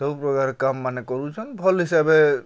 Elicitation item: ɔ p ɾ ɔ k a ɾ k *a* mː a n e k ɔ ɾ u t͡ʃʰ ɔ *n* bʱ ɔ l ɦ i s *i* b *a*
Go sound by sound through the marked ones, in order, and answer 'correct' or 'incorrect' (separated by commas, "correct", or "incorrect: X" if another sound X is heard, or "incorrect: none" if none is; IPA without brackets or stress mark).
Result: correct, correct, incorrect: a, incorrect: e